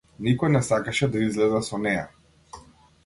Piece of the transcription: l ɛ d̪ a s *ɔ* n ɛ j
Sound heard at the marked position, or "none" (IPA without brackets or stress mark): ɔ